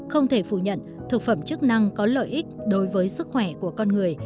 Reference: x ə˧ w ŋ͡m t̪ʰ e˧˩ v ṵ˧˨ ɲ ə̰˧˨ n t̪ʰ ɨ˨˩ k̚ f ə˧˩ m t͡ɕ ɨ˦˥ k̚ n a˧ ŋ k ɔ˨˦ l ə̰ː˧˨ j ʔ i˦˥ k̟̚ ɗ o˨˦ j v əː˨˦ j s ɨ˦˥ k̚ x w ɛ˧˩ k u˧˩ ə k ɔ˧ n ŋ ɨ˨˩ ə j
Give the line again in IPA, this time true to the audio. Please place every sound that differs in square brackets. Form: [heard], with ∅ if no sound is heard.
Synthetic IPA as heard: x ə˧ w ŋ͡m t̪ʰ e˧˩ [f] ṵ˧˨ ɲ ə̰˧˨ n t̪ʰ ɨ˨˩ k̚ f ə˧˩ m t͡ɕ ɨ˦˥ k̚ n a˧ ŋ k ɔ˨˦ l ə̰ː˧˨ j ʔ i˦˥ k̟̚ ɗ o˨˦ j v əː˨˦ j s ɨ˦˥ k̚ x w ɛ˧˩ k u˧˩ ə k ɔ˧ n ŋ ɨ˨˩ ə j